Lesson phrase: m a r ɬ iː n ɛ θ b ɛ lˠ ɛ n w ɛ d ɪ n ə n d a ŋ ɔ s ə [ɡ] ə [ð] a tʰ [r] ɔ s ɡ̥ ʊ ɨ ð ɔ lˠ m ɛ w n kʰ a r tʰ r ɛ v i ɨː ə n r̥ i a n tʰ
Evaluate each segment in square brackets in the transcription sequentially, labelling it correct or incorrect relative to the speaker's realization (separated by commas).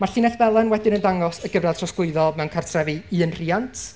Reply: correct, incorrect, correct